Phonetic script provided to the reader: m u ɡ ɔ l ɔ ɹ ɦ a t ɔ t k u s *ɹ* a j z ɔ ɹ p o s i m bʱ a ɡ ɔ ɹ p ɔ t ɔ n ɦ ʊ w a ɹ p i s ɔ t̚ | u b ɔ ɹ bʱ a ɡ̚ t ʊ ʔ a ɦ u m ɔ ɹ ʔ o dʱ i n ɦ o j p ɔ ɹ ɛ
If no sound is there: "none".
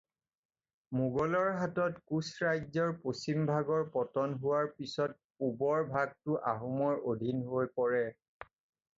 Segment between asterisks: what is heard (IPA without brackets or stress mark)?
ɹ